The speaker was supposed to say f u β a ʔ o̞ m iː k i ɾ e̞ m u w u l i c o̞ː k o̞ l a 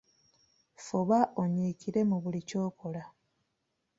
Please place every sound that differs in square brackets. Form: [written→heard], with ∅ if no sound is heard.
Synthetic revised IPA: f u β a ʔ o̞ [m→ɲ] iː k i ɾ e̞ m u [w→β] u l i c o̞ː k o̞ l a

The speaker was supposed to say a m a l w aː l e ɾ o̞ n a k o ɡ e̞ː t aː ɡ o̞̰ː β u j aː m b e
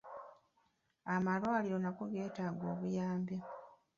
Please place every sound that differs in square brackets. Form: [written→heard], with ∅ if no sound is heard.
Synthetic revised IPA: a m a l w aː l [e→i] ɾ o̞ n a k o ɡ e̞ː t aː ɡ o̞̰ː β u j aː m b e

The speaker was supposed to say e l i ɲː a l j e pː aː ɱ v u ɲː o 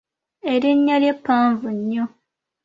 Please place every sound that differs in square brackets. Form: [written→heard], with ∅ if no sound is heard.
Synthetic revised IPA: e [l→ɾ] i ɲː a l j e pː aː ɱ v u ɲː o

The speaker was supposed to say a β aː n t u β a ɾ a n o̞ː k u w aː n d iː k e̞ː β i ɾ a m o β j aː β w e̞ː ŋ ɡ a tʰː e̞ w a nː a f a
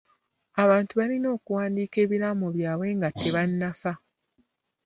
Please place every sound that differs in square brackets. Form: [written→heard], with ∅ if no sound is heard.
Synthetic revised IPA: a β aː n t u β a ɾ [a→i] n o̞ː k u w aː n d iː k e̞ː β i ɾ a m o β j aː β w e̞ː ŋ ɡ a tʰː e̞ [w→β] a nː a f a

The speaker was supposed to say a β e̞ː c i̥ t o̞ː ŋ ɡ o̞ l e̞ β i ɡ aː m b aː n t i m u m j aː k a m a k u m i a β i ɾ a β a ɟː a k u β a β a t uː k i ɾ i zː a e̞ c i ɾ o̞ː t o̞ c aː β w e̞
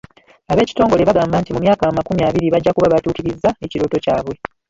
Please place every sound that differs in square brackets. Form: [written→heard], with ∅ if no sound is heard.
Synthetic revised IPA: a β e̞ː c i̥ t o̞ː ŋ ɡ o̞ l e̞ β [i→a] ɡ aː m b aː n t i m u m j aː k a m a k u m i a β i ɾ [a→i] β a ɟː a k u β a β a t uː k i ɾ i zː a e̞ c i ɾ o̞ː t o̞ c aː β w e̞

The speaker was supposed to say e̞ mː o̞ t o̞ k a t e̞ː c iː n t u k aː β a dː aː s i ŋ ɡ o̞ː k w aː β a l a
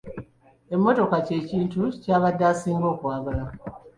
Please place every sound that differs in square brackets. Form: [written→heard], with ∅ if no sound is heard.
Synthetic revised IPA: e̞ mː o̞ t o̞ k a [t→c] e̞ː c iː n t u [k→c] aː β a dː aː s [i→iː] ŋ ɡ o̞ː k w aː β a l a

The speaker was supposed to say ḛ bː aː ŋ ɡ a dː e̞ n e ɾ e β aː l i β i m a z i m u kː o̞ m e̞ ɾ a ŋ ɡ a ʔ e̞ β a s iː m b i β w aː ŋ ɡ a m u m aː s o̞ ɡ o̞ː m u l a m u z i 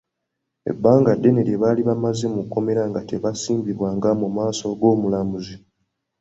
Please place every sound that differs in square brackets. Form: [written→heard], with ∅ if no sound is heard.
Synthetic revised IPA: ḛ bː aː ŋ ɡ a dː e̞ n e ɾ e β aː l i β [i→a] m a z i m u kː o̞ m e̞ ɾ a ŋ ɡ a [ʔ→t] e̞ β a s iː m b i β w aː ŋ ɡ a m u m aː s o̞ ɡ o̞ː m u l a m u z i

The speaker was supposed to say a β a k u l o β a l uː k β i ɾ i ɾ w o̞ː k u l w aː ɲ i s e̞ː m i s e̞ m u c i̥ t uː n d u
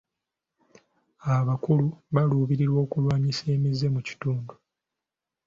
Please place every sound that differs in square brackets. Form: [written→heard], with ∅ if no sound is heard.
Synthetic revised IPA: a β a k u l [o→u] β a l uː [k→∅] β i ɾ i ɾ w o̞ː k u l w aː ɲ i s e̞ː m i [s→z] e̞ m u c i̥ t uː n d u

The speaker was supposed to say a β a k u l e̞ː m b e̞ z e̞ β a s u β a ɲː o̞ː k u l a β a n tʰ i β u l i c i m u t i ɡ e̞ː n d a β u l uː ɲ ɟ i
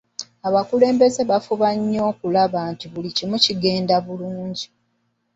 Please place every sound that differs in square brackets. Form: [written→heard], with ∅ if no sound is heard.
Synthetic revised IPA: a β a k u l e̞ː m b e̞ z e̞ β a [s→f] u β a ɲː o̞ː k u l a β a n [tʰ→t] i β u l i c i m u [t→c] i ɡ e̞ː n d a β u l uː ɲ ɟ i

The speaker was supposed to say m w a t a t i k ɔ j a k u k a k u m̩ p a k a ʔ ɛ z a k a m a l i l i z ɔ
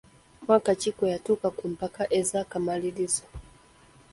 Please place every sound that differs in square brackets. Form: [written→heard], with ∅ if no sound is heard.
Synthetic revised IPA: m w a [t→k] a [t→t͡ʃ] i k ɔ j a [k→t] u k a k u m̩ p a k a ʔ ɛ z a k a m a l i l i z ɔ

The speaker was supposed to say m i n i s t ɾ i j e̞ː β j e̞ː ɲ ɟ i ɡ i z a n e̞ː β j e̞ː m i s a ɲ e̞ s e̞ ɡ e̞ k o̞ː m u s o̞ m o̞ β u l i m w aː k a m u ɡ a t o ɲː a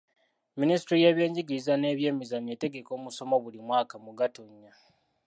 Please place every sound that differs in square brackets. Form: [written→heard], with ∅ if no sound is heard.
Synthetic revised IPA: m i n i s t ɾ i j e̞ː β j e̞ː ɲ ɟ i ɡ i z a n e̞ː β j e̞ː m i [s→z] a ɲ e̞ [s→t] e̞ ɡ e̞ k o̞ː m u s o̞ m o̞ β u l i m w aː k a m u ɡ a t o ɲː a

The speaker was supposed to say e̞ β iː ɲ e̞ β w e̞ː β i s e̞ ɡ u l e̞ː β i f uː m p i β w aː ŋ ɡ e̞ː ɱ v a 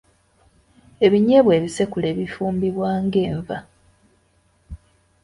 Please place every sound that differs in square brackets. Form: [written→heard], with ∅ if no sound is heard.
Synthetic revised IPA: e̞ β [iː→i] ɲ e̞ β w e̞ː β i s e̞ [ɡ→k] u l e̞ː β i f uː m [p→b] i β w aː ŋ ɡ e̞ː ɱ v a

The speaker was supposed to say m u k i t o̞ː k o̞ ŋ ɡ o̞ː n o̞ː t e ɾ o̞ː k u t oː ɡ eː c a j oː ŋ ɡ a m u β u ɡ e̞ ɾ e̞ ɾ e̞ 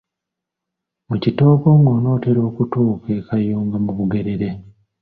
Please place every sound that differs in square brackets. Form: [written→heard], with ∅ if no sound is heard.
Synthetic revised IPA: m u [k→c] i t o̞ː k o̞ ŋ ɡ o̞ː n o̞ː t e ɾ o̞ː k u t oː [ɡ→k] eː [c→k] a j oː ŋ ɡ a m u β u ɡ e̞ ɾ e̞ ɾ e̞

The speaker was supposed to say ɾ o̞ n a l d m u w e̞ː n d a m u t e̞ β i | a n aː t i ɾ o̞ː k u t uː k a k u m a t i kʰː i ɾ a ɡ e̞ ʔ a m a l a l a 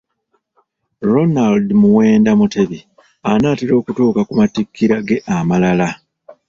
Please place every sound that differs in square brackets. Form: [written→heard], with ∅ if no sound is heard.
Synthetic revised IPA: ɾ o̞ n a l d m u w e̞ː n d a m u t e̞ β i | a n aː t i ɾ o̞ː k u t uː k a k u m a t i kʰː i ɾ a ɡ e̞ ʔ a m a l a l a

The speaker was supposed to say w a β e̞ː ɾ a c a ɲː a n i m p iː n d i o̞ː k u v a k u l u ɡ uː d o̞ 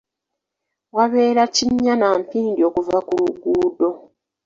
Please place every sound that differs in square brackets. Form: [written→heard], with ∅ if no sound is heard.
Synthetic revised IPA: w a β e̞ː ɾ a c [a→i] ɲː a n [i→a] m p iː n d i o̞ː k u v a k u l u ɡ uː d o̞

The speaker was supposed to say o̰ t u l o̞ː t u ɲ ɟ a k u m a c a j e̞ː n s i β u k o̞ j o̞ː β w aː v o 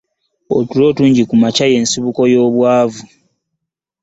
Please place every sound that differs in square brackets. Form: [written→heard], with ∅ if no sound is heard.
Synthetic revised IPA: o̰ t u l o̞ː t [u→uː] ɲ ɟ [a→i] k u m a c a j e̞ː n s i β u k o̞ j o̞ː β w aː v [o→u]

